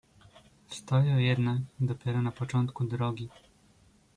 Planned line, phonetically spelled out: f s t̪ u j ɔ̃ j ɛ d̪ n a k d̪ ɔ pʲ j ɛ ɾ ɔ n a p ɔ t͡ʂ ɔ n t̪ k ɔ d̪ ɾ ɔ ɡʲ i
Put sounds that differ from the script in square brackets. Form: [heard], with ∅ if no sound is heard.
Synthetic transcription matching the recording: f s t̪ [ɔ] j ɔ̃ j ɛ d̪ n a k d̪ ɔ pʲ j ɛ ɾ ɔ n a p ɔ t͡ʂ ɔ n t̪ k [u] d̪ ɾ ɔ ɡʲ i